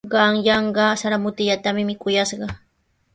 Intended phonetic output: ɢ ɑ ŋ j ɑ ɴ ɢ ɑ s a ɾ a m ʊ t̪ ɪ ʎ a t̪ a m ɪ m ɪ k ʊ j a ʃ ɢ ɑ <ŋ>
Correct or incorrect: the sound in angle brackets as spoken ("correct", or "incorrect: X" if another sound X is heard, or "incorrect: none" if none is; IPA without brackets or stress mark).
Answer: incorrect: none